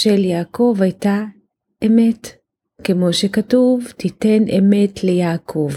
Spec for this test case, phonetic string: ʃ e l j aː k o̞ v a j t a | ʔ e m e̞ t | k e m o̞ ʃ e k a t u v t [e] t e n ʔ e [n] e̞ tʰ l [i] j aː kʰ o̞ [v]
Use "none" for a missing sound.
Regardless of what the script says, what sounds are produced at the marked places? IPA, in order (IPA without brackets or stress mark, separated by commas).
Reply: i, m, e, v